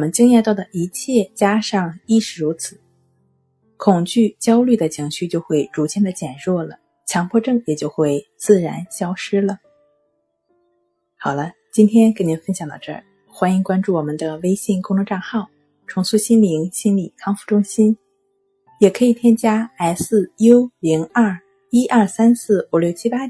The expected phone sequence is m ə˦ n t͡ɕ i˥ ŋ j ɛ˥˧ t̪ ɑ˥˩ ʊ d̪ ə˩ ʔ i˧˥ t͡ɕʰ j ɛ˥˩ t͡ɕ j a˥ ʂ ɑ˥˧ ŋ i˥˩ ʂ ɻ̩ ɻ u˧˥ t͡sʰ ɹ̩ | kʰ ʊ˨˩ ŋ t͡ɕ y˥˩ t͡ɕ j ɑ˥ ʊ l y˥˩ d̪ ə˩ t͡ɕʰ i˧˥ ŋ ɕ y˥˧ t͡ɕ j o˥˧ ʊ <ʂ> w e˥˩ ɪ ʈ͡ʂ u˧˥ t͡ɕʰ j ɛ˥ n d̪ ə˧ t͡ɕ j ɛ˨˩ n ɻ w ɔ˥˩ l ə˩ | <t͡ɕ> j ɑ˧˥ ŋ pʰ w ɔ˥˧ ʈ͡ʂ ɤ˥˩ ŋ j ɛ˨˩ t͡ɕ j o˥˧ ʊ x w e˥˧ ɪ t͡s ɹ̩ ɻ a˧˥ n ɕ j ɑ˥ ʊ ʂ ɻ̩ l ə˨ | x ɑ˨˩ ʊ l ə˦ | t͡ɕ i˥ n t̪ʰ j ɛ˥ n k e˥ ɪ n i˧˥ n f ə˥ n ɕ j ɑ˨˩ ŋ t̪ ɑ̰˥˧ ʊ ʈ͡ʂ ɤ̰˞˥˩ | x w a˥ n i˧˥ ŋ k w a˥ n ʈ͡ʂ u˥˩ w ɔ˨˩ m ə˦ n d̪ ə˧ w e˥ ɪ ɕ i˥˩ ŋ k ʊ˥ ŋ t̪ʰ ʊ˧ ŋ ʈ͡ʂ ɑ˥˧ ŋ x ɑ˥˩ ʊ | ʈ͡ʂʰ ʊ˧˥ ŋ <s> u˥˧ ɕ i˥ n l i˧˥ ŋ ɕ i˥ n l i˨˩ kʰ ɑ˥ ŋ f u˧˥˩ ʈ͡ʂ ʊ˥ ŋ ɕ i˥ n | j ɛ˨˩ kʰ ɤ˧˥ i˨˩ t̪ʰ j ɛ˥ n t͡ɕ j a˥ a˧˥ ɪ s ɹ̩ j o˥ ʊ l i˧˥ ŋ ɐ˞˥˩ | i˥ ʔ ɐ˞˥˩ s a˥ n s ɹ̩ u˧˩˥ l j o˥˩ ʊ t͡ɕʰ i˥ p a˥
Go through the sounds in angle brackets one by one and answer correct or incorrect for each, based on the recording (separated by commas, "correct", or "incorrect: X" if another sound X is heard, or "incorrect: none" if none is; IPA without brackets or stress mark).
incorrect: x, incorrect: t͡ɕʰ, correct